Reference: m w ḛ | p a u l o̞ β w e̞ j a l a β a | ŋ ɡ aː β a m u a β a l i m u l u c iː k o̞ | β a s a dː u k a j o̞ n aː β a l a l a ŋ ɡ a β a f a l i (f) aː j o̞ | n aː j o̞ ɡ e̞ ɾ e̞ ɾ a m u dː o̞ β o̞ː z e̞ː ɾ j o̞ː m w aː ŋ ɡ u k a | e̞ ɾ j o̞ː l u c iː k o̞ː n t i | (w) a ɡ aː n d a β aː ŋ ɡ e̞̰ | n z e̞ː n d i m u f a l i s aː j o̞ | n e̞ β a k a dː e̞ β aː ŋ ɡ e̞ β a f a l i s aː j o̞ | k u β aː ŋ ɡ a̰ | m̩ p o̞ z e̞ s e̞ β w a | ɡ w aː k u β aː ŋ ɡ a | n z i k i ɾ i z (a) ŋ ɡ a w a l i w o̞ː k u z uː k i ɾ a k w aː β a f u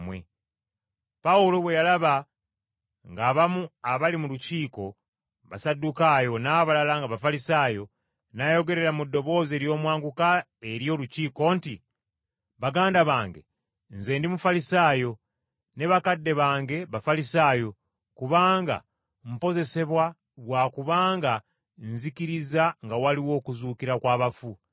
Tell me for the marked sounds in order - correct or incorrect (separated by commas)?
incorrect, incorrect, correct